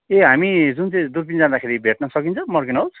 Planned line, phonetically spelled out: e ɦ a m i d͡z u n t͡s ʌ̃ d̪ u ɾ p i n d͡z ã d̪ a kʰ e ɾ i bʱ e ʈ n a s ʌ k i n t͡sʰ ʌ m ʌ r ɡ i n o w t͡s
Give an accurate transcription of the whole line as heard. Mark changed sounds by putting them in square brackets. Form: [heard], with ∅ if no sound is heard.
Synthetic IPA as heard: e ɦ a m i d͡z u n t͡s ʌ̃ d̪ u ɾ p i n d͡z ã d̪ a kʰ e ɾ i bʱ e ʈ n [ʌ] s ʌ k i n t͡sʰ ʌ m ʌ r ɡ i n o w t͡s